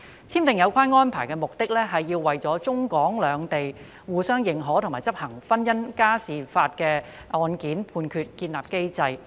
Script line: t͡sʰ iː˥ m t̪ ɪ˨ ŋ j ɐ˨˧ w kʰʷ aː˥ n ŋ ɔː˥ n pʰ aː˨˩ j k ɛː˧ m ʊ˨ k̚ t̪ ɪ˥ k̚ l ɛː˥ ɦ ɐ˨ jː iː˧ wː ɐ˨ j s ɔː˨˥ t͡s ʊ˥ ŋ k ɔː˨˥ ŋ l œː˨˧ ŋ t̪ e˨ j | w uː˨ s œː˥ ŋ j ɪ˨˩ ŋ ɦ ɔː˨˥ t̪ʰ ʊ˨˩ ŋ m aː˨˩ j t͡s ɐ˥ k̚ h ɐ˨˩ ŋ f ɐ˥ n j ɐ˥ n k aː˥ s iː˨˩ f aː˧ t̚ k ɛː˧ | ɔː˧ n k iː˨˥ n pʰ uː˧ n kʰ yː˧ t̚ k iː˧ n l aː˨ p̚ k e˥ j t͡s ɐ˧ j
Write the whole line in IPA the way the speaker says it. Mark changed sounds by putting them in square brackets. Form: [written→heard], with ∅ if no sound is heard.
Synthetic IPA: t͡sʰ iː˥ m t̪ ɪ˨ ŋ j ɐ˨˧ w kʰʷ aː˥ n ŋ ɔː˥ n pʰ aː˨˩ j k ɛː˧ m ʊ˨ k̚ t̪ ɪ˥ k̚ l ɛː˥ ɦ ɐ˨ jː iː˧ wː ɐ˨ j [s→t͡s] ɔː˨˥ t͡s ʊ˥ ŋ k ɔː˨˥ ŋ l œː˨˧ ŋ t̪ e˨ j | w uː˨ s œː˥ ŋ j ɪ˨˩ ŋ ɦ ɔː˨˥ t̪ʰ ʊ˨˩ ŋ m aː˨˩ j t͡s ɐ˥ [k̚→p̚] h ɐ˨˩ ŋ f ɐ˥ n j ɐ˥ n k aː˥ s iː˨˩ f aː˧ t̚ k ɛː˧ | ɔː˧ n k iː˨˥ n pʰ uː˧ n kʰ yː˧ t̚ k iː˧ n l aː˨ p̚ k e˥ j t͡s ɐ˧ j